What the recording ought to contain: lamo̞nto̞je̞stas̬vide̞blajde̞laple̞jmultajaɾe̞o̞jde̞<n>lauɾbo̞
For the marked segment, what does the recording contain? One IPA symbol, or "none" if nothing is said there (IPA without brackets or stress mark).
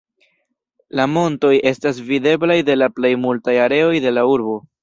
none